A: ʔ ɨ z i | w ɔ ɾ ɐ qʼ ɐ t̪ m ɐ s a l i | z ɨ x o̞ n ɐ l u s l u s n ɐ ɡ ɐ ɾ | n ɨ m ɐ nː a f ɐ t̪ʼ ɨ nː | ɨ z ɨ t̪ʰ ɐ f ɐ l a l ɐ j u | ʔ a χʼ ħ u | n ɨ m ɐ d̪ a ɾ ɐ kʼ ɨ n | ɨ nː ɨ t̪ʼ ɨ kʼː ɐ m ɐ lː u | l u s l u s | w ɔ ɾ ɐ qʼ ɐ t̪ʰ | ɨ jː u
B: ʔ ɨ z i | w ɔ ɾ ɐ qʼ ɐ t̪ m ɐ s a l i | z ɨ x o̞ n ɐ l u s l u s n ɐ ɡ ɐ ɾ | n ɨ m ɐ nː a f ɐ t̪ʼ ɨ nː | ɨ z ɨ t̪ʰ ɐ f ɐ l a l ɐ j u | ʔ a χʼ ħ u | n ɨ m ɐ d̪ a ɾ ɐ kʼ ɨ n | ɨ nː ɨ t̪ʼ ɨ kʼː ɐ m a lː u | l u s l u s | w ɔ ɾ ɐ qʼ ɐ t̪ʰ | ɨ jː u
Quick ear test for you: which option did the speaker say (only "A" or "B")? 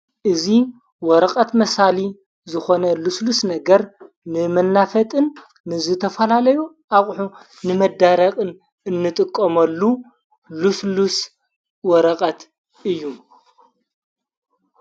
A